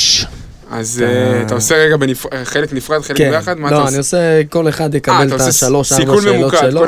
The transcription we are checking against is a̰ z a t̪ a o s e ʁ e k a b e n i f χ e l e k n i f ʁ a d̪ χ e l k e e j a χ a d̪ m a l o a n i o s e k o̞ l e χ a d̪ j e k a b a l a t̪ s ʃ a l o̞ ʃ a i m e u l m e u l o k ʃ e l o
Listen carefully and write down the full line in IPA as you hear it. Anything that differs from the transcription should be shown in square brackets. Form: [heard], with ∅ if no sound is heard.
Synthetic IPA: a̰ z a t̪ a o s e ʁ e [ɡ] a b e n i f χ e l e k n i f ʁ a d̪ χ e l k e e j a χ a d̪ m a l o a n i o s e k o̞ l e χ a d̪ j e k a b [e] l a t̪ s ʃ a l o̞ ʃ a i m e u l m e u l o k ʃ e l o